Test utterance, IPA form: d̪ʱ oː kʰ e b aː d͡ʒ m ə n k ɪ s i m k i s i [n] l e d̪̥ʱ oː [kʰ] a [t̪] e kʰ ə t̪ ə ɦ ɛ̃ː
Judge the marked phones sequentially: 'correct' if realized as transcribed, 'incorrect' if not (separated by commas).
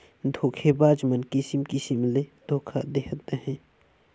incorrect, correct, incorrect